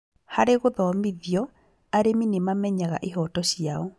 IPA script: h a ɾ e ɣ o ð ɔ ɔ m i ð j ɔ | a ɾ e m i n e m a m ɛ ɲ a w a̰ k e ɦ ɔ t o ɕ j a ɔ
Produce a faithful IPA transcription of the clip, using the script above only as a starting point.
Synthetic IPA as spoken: h a ɾ e ɣ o ð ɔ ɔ m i ð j ɔ | a ɾ e m i n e m a m ɛ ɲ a ɣ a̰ ʔ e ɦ ɔ t ɔ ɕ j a ɔ